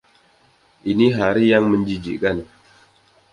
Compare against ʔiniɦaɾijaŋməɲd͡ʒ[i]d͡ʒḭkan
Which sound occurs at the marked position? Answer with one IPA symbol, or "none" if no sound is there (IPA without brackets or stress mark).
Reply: i